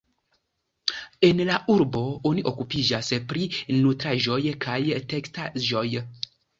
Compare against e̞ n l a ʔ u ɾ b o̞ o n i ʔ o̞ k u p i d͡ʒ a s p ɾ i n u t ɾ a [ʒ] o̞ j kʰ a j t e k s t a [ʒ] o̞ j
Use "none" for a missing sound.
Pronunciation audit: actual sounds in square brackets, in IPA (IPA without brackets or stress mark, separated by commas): ʒ, ʒ